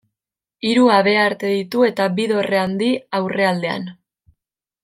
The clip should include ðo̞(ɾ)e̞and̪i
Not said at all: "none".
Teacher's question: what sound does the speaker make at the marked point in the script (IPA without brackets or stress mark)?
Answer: r